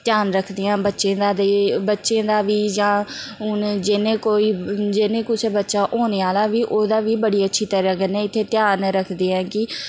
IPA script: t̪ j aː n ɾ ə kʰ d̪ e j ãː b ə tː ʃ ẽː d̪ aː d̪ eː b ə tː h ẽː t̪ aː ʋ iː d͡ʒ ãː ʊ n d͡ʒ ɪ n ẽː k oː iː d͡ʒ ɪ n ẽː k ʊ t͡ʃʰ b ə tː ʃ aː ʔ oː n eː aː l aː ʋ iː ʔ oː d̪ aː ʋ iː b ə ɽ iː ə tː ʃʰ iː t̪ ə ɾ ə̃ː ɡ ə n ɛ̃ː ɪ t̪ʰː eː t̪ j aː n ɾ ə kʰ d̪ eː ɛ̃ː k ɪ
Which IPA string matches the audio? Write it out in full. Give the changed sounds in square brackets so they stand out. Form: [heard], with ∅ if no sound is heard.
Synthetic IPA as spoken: t̪ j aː n ɾ ə kʰ d̪ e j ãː b ə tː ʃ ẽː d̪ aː d̪ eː b ə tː [ʃ] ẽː [d̪] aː ʋ iː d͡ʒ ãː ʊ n d͡ʒ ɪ n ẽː k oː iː d͡ʒ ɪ n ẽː k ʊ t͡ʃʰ b ə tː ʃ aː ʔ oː n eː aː l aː ʋ iː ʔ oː d̪ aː ʋ iː b ə ɽ iː ə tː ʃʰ iː t̪ ə ɾ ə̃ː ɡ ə n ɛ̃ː ɪ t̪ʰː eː t̪ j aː n ɾ ə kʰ d̪ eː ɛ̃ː k ɪ